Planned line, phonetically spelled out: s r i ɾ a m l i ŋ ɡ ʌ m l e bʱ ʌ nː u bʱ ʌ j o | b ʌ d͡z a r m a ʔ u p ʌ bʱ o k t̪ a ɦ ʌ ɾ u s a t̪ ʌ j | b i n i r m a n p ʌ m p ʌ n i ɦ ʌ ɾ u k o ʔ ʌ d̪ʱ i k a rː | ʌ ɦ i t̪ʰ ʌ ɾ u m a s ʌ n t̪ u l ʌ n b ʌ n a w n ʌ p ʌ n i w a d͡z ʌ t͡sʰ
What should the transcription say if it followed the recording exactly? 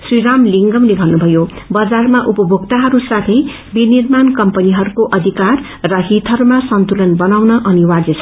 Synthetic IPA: s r i ɾ a m l i ŋ ɡ ʌ m l e bʱ ʌ nː u bʱ ʌ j o | b ʌ d͡z a r m a ʔ u p ʌ bʱ o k t̪ a ɦ ʌ ɾ u s a t̪ʰ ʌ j | b i n i r m a n k ʌ m p ʌ n i ɦ ʌ ɾ u k o ʔ ʌ d̪ʱ i k a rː | ʌ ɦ i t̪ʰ ʌ ɾ u m a s ʌ n t̪ u l ʌ n b ʌ n a w n ʌ ʔ ʌ n i w a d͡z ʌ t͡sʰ